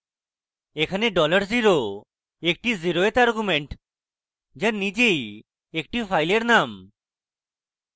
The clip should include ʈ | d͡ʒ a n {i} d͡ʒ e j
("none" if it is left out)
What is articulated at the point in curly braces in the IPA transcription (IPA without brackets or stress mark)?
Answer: i